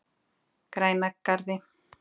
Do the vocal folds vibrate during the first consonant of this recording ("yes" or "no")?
no